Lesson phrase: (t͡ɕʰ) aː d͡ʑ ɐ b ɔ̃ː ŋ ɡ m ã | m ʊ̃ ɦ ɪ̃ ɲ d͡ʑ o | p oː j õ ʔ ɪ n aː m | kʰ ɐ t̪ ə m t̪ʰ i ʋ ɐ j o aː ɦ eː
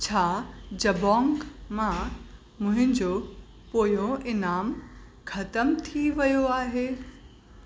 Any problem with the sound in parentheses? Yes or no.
no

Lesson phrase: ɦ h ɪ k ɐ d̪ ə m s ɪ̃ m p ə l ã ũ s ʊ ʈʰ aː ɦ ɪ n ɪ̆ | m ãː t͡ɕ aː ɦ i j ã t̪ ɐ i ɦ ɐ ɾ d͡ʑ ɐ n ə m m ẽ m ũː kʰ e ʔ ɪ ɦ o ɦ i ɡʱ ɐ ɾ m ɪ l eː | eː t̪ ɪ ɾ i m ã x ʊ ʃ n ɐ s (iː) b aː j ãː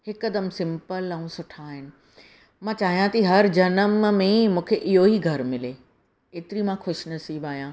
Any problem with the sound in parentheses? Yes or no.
no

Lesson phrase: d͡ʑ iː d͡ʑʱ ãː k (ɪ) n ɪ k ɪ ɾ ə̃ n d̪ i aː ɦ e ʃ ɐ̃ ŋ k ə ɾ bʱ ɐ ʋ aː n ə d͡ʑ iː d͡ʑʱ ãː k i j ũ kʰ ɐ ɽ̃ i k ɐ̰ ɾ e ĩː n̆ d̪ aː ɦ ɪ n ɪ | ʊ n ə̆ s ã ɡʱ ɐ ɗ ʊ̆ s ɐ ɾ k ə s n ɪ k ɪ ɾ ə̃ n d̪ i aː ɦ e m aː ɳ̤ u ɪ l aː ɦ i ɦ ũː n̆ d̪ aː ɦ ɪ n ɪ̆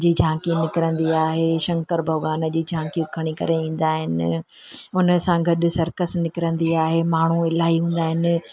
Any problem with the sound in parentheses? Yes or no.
yes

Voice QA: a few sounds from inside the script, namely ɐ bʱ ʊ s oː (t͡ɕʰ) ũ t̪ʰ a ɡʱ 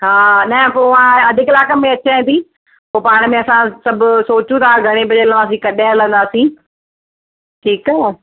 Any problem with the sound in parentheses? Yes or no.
yes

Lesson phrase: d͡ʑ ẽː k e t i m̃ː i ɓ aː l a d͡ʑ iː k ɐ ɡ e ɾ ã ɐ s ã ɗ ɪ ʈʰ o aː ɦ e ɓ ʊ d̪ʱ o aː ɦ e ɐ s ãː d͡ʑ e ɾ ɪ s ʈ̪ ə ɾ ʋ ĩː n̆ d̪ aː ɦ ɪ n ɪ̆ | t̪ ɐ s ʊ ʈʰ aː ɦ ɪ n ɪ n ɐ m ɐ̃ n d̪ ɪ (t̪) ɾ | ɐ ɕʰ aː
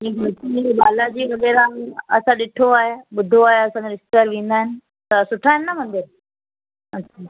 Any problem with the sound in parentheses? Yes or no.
yes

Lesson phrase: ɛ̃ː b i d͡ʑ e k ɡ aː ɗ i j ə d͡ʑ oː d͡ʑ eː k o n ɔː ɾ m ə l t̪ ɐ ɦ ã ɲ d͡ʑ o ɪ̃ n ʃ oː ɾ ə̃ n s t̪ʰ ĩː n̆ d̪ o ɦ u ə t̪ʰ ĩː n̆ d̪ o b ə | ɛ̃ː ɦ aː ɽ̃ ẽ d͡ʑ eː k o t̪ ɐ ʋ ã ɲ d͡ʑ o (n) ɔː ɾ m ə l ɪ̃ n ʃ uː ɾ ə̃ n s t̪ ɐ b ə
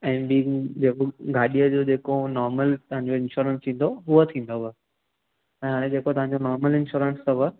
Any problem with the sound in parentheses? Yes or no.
no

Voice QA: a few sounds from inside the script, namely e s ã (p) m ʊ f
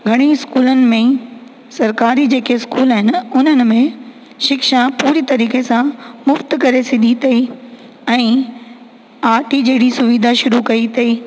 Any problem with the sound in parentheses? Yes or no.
yes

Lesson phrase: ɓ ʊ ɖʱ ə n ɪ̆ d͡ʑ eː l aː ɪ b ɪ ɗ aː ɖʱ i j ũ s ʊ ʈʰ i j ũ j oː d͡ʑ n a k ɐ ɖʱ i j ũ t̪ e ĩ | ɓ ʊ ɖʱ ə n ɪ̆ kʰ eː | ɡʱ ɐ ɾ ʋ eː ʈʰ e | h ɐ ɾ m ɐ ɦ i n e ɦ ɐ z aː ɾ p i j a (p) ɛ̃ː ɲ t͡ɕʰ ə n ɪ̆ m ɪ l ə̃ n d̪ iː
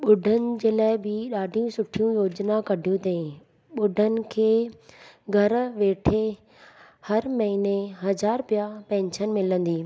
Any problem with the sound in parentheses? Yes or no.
no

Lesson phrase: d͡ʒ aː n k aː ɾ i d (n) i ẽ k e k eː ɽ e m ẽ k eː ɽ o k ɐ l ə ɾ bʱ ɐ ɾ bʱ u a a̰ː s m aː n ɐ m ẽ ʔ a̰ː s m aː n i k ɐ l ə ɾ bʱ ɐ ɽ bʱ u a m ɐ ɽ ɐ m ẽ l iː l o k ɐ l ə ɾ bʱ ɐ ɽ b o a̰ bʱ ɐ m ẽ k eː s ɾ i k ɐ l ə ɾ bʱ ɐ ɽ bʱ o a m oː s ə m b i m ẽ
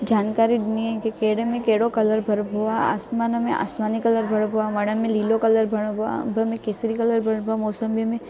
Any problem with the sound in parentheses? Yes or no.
no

